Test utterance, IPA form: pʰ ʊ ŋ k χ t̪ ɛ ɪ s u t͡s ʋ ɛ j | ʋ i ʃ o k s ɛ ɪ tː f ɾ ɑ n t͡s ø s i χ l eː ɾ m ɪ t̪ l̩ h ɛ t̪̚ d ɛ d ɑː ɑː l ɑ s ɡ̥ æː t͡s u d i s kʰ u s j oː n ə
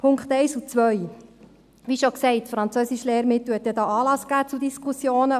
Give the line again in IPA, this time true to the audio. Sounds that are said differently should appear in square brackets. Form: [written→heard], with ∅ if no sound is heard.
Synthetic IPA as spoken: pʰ ʊ ŋ k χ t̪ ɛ ɪ s u t͡s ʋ [ɛ→œ] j | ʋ i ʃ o k s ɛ ɪ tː f ɾ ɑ n t͡s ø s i [χ→ʃ] l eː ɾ m ɪ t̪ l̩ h ɛ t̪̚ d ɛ d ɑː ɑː l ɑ s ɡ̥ æː t͡s u d i s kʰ u s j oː n ə